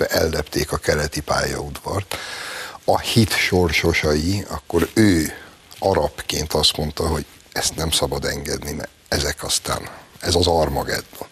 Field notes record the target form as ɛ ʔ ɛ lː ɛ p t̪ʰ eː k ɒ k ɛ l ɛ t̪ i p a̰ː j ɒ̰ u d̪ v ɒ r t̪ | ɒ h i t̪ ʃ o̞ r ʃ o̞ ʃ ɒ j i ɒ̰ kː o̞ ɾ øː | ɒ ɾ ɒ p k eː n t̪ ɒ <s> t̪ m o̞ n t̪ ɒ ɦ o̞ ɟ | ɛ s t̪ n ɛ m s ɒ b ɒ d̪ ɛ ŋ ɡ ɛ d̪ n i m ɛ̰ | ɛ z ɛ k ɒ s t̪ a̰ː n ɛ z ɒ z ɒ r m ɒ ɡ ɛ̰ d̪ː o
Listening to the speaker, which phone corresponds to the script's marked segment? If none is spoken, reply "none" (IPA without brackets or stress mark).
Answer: s